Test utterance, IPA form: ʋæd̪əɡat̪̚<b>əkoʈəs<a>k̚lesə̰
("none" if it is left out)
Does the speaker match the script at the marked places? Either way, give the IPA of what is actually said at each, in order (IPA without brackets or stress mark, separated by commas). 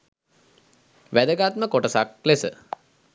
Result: m, a